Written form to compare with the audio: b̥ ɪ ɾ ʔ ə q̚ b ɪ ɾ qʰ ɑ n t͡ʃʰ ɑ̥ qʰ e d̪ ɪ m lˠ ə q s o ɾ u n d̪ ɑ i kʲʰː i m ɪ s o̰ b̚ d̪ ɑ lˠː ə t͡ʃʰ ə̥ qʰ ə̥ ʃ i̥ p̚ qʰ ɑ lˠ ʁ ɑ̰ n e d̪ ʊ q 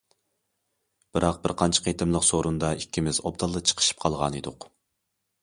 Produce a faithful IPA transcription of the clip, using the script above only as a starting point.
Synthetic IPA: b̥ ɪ ɾ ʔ ɑ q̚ b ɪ ɾ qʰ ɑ n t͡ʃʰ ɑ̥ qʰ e t̪ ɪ m lˠ ə q s o ɾ u n d̪ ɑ i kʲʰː i m ɪ z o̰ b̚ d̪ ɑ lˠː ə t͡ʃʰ ə̥ qʰ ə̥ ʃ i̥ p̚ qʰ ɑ lˠ ʁ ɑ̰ n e d̪ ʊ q